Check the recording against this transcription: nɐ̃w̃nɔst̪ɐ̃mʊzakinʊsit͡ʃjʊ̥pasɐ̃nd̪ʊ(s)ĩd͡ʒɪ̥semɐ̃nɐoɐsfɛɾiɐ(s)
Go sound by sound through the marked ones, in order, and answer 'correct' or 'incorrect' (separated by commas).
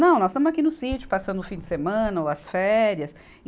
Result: incorrect, correct